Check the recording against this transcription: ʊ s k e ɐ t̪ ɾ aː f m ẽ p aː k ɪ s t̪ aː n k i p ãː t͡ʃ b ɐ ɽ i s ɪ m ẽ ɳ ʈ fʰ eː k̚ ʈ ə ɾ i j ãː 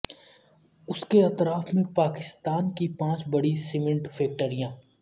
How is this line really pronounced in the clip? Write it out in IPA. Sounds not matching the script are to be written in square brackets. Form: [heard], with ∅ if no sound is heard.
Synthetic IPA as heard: ʊ s k e ɐ t̪ ɾ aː f m ẽ p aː k ɪ s t̪ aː n k i p ãː t͡ʃ b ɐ ɽ i s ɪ m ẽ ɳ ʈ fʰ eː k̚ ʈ ə ɾ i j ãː